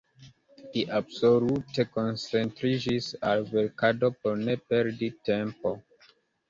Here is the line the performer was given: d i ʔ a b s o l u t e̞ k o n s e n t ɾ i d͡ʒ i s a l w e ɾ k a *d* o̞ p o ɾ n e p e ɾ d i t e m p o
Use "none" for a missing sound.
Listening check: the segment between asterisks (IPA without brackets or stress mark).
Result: d